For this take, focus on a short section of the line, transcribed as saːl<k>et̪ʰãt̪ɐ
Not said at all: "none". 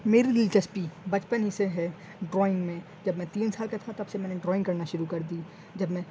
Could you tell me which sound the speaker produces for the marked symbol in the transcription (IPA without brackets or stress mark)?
k